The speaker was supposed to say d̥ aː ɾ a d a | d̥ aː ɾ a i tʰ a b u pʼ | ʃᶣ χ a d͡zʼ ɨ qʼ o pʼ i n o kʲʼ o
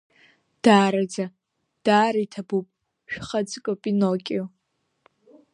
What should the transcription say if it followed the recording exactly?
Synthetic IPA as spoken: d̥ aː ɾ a d͡z a | d̥ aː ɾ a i tʰ a b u pʼ | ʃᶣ χ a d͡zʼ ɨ kʼ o pʼ i n o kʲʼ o